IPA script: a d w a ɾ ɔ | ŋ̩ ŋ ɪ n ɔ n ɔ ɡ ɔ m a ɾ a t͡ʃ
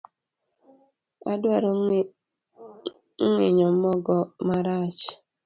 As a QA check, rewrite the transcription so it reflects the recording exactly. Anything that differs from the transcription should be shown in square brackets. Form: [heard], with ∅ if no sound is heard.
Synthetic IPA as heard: a d w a ɾ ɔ | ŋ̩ ŋ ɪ [ɲ] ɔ [m] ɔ ɡ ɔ m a ɾ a t͡ʃ

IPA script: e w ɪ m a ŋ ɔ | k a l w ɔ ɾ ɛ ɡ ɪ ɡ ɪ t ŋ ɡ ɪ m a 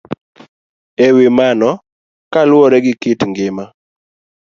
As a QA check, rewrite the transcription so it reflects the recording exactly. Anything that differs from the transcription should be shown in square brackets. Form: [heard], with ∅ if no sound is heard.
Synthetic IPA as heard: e w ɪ m a [n] ɔ | k a l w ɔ ɾ ɛ ɡ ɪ [k] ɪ t ŋ ɡ ɪ m a

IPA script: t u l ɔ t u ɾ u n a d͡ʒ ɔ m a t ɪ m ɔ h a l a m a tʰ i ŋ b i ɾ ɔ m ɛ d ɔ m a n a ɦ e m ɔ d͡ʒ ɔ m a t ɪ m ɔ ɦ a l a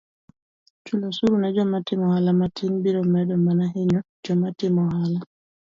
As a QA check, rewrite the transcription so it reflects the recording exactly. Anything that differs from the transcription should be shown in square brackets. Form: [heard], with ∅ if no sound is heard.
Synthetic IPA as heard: [t͡ʃ] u l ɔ [s] u ɾ u n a d͡ʒ ɔ m a t ɪ m ɔ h a l a m a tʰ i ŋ b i ɾ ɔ m ɛ d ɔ m a n a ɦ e [ɲ] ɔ d͡ʒ ɔ m a t ɪ m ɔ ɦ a l a

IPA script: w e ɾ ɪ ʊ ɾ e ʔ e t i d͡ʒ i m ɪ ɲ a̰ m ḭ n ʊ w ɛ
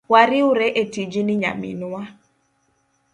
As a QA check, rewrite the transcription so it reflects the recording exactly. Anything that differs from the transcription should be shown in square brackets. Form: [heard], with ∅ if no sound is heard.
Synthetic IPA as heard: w [a] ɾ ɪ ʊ ɾ e ʔ e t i d͡ʒ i [n] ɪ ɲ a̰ m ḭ n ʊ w [a]

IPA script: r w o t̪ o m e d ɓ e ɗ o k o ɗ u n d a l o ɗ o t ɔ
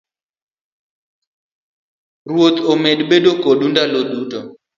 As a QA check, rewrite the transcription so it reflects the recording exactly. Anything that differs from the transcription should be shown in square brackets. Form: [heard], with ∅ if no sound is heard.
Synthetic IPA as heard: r w o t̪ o m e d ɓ e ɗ o k o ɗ u n d a l o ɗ [u] t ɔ

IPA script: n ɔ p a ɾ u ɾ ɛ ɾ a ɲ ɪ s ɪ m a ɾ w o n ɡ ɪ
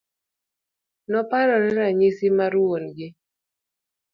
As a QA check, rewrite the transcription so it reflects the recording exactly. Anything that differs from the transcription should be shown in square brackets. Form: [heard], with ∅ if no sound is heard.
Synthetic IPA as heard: n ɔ p a ɾ [ɔ] ɾ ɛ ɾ a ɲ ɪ s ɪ m a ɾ w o n ɡ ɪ

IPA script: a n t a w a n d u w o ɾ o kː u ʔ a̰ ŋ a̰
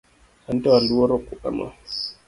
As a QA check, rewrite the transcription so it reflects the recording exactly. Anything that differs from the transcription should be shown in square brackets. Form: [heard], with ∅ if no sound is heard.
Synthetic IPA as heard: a n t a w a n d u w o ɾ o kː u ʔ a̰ [m] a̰

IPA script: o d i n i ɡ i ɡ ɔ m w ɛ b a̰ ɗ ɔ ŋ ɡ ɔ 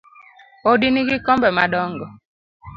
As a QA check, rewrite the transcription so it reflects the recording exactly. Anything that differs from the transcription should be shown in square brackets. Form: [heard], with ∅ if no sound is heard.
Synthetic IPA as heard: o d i n i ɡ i [k] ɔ m [b] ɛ [m] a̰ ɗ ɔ ŋ ɡ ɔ

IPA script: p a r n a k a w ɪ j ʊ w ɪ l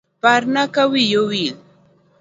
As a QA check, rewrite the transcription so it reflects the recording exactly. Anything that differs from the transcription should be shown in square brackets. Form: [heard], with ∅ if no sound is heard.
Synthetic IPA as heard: p a [ɾ] n a k a w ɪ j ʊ w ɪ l

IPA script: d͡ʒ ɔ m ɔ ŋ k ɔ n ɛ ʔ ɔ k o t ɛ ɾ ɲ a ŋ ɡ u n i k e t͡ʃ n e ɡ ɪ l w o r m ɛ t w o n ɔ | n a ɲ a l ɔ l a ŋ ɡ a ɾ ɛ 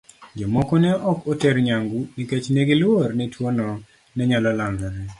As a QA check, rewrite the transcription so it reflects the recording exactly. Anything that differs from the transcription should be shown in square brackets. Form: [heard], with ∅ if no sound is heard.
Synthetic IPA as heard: d͡ʒ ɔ m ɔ [∅] k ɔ n ɛ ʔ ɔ k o t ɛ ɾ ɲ a ŋ ɡ u n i k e t͡ʃ n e ɡ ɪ l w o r [n] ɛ t w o n ɔ | n [ɛ] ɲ a l ɔ l a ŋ ɡ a ɾ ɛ

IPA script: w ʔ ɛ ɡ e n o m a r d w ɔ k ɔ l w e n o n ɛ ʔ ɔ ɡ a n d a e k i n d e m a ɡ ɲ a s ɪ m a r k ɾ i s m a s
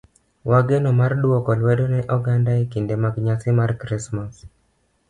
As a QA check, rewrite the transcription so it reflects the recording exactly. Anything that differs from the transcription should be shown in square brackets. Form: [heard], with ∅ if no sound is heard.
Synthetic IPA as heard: w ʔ [a] ɡ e n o m a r d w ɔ k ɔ l w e [d] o n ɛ ʔ ɔ ɡ a n d a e k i n d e m a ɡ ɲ a s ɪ m a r k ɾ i s m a s

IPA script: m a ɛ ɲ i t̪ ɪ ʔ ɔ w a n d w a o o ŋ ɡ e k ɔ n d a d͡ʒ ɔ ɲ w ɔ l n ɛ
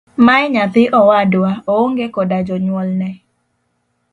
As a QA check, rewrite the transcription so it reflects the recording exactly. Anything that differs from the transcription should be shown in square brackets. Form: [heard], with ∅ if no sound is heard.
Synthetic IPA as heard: m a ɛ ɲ [a] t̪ ɪ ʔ ɔ w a [∅] d w a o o ŋ ɡ e k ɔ [∅] d a d͡ʒ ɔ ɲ w ɔ l n ɛ

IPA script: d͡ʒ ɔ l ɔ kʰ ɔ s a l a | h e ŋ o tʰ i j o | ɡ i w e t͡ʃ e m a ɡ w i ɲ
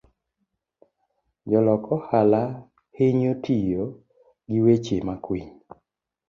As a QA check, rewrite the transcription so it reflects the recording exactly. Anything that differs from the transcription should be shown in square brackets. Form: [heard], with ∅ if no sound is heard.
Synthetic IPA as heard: d͡ʒ ɔ l ɔ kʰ ɔ [h] a l a | h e [ɲ] o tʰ i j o | ɡ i w e t͡ʃ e m a [k] w i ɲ

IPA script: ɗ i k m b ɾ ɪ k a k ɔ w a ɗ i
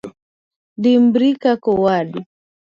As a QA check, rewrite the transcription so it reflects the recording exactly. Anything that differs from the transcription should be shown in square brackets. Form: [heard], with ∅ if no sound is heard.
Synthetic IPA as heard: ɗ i [∅] m b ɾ [i] k a k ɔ w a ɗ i

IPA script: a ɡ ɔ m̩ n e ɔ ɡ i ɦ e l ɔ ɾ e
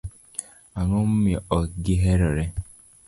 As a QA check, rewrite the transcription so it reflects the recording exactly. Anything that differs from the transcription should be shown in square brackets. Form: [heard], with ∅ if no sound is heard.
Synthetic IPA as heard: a [ŋ] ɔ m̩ [m] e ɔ ɡ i ɦ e [ɾ] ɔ ɾ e

